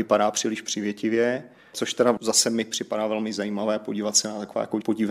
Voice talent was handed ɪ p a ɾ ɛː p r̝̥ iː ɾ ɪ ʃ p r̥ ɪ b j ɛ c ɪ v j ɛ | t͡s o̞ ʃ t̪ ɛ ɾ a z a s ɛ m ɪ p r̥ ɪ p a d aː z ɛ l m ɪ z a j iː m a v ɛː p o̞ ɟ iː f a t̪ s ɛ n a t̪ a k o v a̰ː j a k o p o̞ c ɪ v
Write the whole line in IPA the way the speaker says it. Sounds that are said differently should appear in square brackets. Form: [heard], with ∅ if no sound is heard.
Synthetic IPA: ɪ p a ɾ [aː] p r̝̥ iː [l] ɪ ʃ p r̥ ɪ [v] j ɛ c ɪ v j ɛ | t͡s o̞ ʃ t̪ ɛ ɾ a z a s ɛ m ɪ p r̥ ɪ p a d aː [v] ɛ l m ɪ z a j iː m a v ɛː p o̞ ɟ iː [v] a t̪ s ɛ n a t̪ a k o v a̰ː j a k o p o̞ [ɟ] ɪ v